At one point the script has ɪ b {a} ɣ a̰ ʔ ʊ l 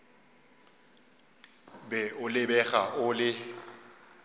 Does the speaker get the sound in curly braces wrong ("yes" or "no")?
yes